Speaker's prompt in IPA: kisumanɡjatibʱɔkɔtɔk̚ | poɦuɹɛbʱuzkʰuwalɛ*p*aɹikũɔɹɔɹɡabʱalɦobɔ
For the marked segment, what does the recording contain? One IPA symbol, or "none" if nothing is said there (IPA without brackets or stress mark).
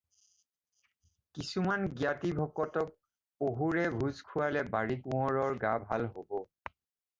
b